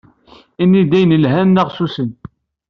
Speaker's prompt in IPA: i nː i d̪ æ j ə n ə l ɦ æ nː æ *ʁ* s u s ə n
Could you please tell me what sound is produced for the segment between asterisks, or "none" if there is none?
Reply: ʁ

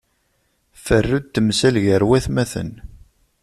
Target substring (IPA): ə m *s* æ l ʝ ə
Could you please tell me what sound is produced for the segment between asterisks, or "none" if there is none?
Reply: s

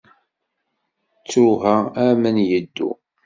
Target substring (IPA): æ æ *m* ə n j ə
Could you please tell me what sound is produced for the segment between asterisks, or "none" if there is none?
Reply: m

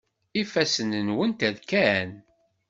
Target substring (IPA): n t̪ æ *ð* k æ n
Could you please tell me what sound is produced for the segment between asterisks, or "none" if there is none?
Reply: ð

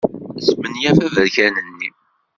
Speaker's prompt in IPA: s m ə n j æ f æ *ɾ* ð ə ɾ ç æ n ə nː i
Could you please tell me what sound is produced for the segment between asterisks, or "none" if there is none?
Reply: none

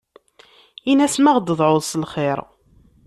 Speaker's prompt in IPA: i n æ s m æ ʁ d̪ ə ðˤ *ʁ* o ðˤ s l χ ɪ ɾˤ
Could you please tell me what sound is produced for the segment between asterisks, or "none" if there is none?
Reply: ʕ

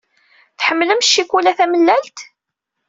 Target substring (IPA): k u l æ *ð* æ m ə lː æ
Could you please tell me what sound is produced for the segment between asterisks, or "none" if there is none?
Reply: θ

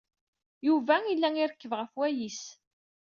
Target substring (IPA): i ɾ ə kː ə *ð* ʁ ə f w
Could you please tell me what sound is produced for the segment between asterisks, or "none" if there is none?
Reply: v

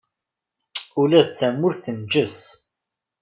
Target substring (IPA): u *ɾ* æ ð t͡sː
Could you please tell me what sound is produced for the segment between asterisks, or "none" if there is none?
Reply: l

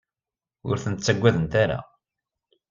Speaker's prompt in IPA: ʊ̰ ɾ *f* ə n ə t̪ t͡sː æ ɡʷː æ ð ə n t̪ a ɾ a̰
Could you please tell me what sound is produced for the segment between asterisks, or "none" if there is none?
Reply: θ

